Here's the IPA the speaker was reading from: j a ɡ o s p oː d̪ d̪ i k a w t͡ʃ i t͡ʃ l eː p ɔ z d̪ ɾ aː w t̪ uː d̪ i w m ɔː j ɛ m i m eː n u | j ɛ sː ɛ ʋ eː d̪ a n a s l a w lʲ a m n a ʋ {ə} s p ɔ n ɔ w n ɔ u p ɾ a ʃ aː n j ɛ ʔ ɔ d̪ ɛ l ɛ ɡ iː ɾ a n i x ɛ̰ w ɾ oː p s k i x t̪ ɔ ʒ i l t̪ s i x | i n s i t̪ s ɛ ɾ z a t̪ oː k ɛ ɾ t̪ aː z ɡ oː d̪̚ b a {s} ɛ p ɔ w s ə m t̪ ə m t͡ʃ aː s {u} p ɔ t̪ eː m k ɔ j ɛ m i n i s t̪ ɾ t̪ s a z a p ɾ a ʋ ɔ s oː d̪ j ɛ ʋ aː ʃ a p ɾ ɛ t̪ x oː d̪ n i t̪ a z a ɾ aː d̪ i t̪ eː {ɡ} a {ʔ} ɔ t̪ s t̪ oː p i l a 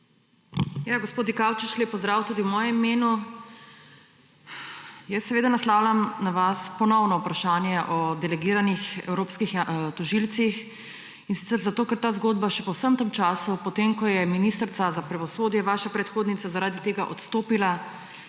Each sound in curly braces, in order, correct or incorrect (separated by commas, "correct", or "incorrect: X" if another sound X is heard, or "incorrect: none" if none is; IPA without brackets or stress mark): incorrect: a, incorrect: ʃ, correct, correct, correct